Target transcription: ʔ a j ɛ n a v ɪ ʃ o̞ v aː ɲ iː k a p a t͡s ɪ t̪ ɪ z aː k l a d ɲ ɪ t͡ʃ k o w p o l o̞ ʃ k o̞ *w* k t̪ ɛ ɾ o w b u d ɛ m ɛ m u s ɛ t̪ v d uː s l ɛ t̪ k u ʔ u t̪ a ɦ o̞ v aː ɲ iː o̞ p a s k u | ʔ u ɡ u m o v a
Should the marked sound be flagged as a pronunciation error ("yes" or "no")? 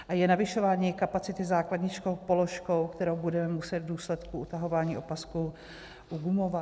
no